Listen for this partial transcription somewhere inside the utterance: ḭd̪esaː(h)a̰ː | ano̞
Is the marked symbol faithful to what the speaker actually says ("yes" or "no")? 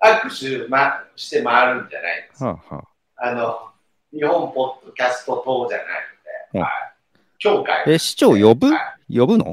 yes